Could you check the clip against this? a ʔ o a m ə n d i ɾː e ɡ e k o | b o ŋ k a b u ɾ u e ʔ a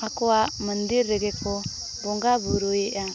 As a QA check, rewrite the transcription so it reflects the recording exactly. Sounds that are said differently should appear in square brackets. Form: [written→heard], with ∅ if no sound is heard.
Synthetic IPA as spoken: a [ʔ→k] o a m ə n d i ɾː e ɡ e k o | b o ŋ [k→ɡ] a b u ɾ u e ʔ a